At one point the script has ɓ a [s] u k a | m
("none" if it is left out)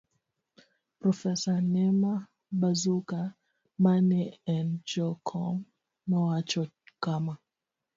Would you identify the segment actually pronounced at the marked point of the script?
z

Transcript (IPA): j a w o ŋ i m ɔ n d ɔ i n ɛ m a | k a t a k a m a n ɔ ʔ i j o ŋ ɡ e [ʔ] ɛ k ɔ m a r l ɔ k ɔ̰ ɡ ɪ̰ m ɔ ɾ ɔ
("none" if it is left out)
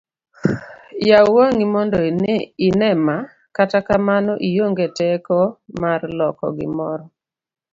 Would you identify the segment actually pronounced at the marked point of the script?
t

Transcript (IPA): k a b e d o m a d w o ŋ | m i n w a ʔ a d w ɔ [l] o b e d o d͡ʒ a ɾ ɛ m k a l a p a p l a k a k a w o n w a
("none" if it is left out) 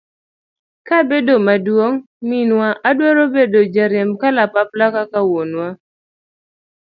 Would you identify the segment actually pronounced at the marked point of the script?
ɾ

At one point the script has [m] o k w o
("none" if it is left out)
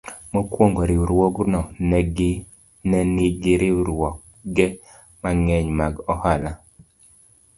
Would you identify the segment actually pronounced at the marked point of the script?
m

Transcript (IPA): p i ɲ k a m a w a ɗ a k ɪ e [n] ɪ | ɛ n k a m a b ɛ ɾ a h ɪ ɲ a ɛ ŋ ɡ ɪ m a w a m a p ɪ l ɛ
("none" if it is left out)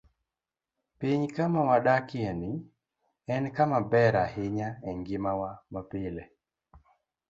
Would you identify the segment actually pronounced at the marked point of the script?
n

